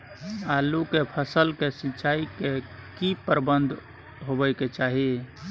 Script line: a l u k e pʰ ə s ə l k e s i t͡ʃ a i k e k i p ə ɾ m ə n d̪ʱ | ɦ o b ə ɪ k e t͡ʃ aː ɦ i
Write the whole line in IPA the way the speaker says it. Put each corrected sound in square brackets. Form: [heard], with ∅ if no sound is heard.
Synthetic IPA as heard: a l u k e pʰ ə s ə l k e s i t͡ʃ a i k e k i p ə ɾ [b] ə n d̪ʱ | ɦ o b ə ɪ k e t͡ʃ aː ɦ i